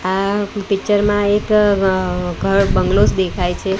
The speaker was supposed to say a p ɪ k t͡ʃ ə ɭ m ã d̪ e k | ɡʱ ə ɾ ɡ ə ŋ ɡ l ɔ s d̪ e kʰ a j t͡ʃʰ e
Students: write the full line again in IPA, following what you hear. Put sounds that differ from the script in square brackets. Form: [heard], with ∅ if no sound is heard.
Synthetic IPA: a p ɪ k t͡ʃ ə [ɾ] m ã [∅] e k | ɡʱ ə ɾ [b] ə ŋ ɡ l [o] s d̪ e kʰ a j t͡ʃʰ e

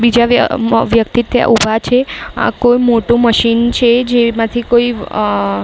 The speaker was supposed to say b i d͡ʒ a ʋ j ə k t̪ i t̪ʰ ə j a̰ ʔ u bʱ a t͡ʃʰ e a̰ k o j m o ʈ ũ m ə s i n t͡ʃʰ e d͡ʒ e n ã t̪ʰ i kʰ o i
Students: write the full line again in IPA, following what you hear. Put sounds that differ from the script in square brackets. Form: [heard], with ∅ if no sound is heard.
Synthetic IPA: b i d͡ʒ a ʋ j ə k t̪ i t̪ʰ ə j a̰ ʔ u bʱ a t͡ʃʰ e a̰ k o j m o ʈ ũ m ə [ʃ] i n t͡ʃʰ e d͡ʒ e [m] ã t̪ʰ i [k] o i

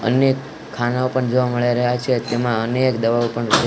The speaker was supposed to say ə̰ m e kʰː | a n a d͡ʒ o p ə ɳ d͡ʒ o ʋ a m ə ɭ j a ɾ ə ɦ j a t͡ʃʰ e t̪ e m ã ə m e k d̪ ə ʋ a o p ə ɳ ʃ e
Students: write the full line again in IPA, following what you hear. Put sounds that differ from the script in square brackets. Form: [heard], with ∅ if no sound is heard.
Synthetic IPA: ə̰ [n] e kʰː | a n a [∅] o p ə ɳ d͡ʒ o ʋ a m ə ɭ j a ɾ ə ɦ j a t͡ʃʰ e t̪ e m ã ə [n] e k d̪ ə ʋ a o p ə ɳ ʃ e

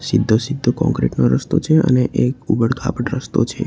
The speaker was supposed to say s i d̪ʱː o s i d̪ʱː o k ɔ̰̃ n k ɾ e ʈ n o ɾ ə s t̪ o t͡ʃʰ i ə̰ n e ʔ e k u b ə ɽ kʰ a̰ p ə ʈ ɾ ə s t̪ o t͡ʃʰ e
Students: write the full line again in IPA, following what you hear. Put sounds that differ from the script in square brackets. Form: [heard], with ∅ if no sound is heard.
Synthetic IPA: s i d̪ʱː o s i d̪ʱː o k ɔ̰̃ [ŋ] k ɾ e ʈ n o ɾ ə s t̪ o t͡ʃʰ [e] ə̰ n e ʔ e k u b ə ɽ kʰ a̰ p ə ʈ ɾ ə s t̪ o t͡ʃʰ e

